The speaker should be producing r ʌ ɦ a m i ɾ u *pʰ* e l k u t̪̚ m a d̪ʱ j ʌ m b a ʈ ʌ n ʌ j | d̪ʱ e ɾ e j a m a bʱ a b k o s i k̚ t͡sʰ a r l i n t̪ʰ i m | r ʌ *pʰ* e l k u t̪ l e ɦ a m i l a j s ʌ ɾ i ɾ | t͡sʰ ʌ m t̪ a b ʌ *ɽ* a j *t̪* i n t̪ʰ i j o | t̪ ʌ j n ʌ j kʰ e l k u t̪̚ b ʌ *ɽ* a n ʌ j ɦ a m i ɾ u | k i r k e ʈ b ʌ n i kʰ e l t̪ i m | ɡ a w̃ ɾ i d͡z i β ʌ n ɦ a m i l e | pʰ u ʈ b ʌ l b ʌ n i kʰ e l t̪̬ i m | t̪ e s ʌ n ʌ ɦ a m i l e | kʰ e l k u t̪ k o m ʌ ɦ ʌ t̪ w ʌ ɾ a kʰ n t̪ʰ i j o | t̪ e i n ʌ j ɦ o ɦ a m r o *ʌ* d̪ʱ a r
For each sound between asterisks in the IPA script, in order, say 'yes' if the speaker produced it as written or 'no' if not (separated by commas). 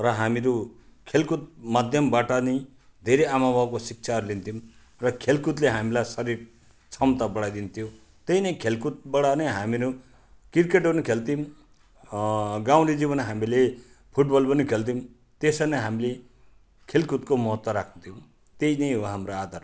no, no, yes, no, yes, no